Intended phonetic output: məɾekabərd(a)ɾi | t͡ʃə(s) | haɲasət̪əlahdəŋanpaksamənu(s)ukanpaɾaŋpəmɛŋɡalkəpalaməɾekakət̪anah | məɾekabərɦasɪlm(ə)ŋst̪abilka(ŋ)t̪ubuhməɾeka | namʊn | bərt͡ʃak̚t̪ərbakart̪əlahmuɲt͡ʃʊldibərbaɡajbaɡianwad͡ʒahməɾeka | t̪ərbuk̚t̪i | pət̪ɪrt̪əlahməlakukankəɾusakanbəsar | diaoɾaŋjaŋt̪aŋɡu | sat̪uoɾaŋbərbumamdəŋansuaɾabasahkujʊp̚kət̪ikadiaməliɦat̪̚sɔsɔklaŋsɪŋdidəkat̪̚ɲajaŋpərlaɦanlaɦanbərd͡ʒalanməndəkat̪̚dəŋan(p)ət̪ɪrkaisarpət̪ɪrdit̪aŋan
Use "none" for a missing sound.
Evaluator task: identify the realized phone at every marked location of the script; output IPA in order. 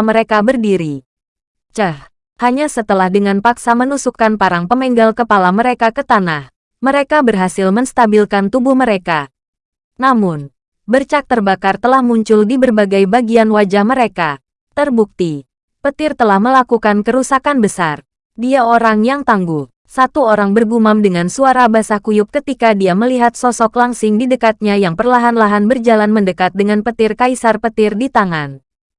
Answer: i, h, s, ə, n, p

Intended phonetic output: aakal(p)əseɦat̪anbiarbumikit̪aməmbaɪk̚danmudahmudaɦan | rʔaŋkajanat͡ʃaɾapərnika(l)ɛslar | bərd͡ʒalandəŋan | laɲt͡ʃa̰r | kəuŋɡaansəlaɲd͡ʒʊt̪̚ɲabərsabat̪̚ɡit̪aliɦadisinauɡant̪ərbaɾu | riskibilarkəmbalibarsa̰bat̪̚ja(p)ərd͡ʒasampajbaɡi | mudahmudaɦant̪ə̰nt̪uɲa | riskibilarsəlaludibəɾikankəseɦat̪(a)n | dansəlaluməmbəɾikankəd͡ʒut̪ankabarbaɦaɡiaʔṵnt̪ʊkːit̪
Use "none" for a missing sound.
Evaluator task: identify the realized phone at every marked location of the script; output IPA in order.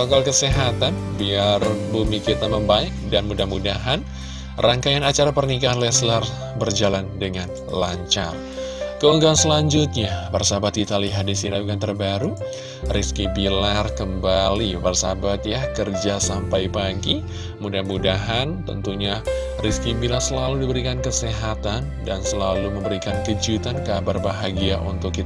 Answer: k, l, k, a

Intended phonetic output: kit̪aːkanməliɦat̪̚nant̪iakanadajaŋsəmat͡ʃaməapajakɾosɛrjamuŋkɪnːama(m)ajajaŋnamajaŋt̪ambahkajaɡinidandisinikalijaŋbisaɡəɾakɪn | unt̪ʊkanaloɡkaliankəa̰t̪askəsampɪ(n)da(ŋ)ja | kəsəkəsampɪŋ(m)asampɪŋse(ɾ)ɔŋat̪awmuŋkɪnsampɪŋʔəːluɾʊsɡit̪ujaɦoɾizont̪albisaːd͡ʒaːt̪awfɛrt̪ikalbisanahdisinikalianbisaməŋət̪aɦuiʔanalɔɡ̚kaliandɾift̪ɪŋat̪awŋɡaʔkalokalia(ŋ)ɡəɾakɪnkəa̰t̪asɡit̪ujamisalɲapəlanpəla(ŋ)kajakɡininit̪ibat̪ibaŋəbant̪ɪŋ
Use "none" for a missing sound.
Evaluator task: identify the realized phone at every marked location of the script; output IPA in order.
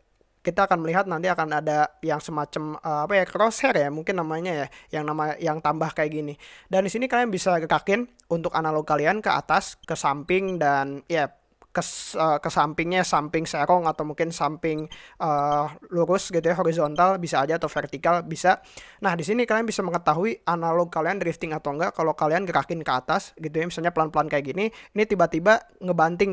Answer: ɲ, ŋ, n, ɲ, ɾ, n, n

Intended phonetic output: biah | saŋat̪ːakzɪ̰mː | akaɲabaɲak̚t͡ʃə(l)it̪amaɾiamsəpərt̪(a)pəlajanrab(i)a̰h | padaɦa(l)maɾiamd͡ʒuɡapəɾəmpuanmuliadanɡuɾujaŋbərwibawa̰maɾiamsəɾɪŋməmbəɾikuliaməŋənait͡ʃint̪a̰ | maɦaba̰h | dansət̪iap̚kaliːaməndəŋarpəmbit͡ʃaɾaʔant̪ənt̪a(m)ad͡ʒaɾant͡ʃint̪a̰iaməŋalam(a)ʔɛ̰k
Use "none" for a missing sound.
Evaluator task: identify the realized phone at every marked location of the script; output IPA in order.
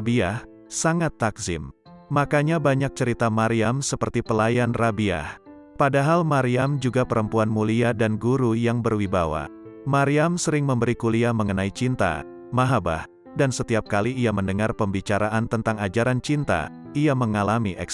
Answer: ɾ, i, i, l, ŋ, i

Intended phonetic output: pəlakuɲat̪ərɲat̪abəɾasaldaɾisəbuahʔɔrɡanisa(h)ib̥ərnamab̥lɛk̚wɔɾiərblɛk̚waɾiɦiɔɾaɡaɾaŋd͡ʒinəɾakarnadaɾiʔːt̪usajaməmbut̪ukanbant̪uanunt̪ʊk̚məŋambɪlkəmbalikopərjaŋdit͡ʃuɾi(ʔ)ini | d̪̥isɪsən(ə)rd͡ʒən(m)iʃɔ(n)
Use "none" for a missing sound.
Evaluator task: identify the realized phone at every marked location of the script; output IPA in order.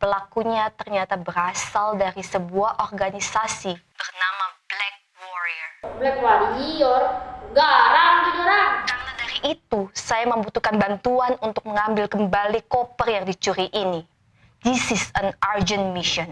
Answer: s, ʔ, a, m, n

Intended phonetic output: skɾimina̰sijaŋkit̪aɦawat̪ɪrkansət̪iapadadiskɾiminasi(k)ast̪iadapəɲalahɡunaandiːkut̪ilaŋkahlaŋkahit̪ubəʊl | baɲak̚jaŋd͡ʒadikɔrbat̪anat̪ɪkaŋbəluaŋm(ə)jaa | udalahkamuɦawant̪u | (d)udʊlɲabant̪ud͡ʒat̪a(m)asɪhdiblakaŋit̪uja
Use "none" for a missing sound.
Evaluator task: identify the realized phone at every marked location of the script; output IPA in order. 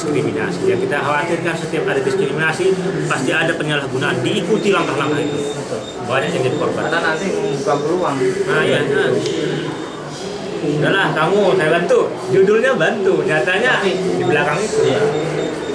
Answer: p, a, d͡ʒ, ɲ

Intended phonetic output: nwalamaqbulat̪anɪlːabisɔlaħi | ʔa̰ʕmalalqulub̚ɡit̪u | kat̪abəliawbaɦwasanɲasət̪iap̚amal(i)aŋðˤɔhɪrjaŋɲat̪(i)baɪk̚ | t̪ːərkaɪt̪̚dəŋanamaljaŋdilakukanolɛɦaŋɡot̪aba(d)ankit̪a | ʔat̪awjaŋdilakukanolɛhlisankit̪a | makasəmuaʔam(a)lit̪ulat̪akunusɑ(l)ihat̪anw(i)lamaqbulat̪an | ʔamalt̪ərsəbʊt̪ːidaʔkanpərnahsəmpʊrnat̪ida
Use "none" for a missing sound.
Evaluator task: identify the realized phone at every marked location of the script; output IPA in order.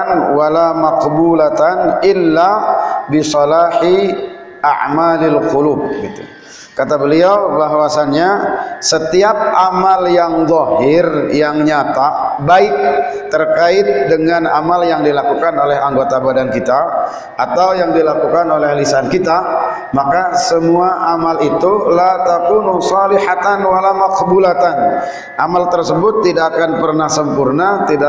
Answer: j, a, d, a, l, a

